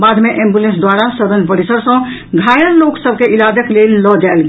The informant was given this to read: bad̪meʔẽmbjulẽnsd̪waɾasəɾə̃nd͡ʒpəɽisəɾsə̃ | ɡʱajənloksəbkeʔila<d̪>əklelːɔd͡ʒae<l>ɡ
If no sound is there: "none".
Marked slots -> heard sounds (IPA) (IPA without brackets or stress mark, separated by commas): d̪, l